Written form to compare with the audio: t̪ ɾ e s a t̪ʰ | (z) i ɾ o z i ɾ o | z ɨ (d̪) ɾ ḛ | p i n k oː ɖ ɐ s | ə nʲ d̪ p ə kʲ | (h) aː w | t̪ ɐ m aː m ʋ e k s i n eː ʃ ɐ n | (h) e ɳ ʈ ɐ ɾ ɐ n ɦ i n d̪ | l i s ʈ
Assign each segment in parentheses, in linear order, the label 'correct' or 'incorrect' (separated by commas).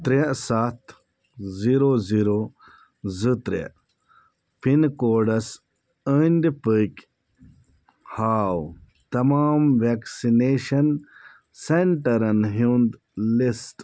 correct, incorrect, correct, incorrect